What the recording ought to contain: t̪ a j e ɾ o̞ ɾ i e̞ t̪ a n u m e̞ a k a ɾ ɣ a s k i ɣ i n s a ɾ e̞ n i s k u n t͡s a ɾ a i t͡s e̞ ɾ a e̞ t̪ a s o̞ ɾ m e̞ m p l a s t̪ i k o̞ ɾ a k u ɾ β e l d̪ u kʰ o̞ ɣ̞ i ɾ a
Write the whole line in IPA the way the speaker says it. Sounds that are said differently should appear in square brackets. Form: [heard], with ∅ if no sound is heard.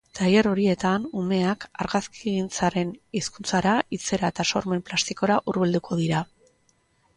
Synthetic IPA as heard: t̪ a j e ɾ o̞ ɾ i e̞ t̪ a n u m e̞ a k a ɾ ɣ a s k i ɣ i n [t͡s] a ɾ e̞ n i s k u n t͡s a ɾ a i t͡s e̞ ɾ a e̞ t̪ a s o̞ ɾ m e̞ m p l a s t̪ i k o̞ ɾ a [ʔ] u ɾ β e l d̪ u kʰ o̞ [ð̞] i ɾ a